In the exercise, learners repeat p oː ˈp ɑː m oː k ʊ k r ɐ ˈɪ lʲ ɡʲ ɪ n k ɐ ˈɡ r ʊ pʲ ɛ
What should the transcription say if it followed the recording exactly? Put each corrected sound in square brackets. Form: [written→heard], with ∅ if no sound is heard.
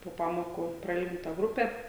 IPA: p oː ˈp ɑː m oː k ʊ [k→p] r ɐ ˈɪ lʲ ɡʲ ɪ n [k→t] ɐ ˈɡ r ʊ pʲ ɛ